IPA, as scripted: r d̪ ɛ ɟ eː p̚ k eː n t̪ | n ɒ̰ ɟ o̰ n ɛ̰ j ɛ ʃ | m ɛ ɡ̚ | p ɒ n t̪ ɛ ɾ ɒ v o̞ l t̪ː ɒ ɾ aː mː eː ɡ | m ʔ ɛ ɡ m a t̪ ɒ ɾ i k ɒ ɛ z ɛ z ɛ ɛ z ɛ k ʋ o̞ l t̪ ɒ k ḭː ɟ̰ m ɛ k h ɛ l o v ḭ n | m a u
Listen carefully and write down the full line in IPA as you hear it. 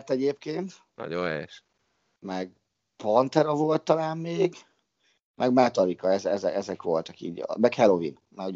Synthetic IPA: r t̪ ɛ ɟ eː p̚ k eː n t̪ | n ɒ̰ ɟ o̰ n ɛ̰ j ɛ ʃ | m ɛ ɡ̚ | p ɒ n t̪ ɛ ɾ ɒ v o̞ l t̪ː ɒ l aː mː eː ɡ | m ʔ ɛ ɡ m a t̪ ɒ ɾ i k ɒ ɛ z ɛ z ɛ ɛ z ɛ k ʋ o̞ l t̪ ɒ k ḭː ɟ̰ m ɛ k h ɛ l o v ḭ n | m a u